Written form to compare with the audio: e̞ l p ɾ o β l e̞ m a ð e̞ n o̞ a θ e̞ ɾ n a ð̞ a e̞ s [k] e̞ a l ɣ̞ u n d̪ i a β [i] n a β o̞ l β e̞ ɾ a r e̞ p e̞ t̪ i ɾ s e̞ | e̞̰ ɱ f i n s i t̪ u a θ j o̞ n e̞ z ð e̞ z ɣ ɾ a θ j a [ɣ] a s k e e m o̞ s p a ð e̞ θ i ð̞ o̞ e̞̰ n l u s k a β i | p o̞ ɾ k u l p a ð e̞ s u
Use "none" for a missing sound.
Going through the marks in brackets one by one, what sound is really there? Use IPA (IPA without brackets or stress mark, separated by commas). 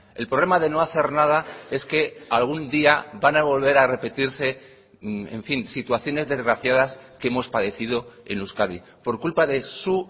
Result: k, a, ð